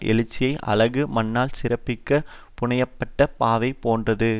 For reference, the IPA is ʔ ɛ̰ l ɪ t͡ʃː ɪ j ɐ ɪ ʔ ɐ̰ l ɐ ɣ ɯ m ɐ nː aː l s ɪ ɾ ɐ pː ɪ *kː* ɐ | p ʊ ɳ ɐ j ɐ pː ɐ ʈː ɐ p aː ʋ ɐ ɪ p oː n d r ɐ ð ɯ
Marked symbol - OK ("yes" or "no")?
yes